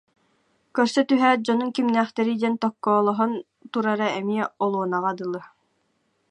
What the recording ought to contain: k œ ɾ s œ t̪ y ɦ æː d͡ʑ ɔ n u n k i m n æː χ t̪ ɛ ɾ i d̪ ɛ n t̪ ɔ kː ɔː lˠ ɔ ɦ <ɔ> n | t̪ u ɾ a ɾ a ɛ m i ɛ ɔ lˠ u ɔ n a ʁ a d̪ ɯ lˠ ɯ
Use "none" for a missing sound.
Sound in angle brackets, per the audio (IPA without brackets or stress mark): ɔ